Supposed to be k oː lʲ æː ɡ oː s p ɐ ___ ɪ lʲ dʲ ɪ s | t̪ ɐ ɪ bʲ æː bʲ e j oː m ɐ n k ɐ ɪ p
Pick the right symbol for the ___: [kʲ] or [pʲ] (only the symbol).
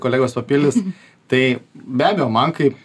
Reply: pʲ